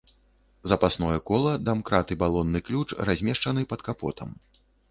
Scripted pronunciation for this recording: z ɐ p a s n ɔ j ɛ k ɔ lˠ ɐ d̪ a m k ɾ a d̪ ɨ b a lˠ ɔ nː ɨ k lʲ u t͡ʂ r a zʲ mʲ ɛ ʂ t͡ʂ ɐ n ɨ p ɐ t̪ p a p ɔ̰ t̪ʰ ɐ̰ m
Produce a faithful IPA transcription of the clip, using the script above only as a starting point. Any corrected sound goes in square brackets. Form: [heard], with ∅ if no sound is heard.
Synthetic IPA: z ɐ p a s n ɔ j ɛ k ɔ lˠ ɐ d̪ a m k ɾ a [t̪] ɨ b a lˠ ɔ nː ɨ k lʲ u t͡ʂ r a zʲ mʲ ɛ ʂ t͡ʂ ɐ n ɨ p ɐ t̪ [k] a p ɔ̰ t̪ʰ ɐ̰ m